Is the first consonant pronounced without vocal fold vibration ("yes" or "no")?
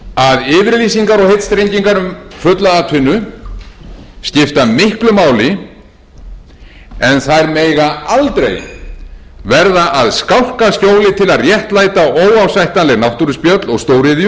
no